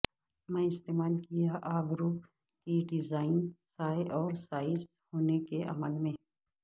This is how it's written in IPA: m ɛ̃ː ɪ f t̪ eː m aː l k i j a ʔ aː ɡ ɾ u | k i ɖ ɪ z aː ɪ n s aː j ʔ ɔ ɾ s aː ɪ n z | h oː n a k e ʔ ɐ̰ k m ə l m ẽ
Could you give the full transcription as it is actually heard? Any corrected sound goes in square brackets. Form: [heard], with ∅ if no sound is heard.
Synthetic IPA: m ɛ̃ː ɪ [s] t̪ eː m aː l k i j a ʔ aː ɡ ɾ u | k i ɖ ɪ z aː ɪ n s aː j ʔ [ɔː] ɾ s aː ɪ [∅] z | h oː n [e] k e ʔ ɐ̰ [∅] m ə l m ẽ